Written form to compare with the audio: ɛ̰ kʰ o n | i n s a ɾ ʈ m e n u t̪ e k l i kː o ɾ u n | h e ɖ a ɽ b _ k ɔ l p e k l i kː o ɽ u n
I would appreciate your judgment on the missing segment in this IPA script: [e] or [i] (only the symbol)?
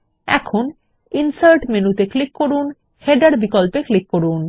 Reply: i